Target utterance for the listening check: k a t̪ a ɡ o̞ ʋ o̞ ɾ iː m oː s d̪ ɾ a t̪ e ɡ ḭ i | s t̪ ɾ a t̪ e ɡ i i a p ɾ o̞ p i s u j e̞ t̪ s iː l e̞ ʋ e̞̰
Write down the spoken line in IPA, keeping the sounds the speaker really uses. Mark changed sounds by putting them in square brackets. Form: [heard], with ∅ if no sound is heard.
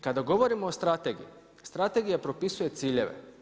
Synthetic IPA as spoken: k a [d̪] a ɡ o̞ ʋ o̞ ɾ [i] m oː s [t̪] ɾ a t̪ e ɡ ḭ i | s t̪ ɾ a t̪ e ɡ i [j] a p ɾ o̞ p i s u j e̞ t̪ s iː [ʎ] e̞ ʋ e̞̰